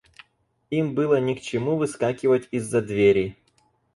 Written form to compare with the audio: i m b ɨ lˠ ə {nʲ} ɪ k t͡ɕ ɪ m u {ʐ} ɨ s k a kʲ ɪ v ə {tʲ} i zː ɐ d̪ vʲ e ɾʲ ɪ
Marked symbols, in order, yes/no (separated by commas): yes, no, yes